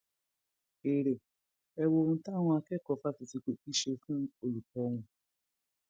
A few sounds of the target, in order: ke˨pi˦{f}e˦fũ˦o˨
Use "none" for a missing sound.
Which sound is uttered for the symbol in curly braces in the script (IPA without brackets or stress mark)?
ʃ